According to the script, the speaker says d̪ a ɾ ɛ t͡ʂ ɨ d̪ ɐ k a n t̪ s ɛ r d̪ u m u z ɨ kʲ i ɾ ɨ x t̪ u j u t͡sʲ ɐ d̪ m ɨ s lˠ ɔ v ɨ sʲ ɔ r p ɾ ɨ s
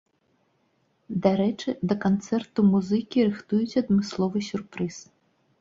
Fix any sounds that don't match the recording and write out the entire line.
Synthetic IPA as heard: d̪ a ɾ ɛ t͡ʂ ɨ d̪ ɐ k a n t̪ s ɛ r t̪ u m u z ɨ kʲ i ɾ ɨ x t̪ u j u t͡sʲ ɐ d̪ m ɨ s lˠ ɔ v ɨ sʲ u r p ɾ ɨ s